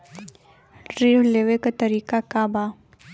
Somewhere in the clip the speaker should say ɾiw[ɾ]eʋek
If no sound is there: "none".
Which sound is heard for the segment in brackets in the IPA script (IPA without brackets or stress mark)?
l